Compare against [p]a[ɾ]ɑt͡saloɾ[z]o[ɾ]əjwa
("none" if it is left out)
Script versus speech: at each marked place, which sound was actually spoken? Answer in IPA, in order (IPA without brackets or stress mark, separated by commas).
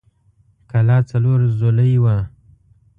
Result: k, l, z, l